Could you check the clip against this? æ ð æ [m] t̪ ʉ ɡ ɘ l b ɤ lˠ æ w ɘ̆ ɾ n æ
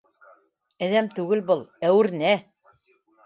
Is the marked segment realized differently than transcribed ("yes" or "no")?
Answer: no